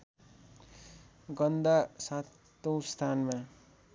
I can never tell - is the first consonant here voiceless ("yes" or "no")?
no